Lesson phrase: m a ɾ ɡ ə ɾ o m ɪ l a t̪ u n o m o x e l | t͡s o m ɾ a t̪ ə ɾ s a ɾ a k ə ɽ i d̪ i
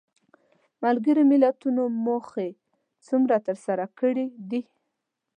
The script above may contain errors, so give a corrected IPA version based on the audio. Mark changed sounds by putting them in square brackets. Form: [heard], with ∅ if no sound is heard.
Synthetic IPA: m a [l] ɡ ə ɾ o m ɪ l a t̪ u n o m o x e [∅] | t͡s [u] m ɾ a t̪ ə ɾ s a ɾ a k ə ɽ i d̪ i